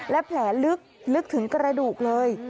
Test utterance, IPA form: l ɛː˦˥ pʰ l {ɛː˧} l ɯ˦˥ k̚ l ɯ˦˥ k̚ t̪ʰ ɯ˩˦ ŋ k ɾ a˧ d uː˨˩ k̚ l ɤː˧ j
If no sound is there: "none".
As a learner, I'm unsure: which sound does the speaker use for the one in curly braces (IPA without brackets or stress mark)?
ɛː˩˦